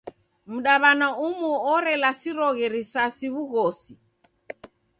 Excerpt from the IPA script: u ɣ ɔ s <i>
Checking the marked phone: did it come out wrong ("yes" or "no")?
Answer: no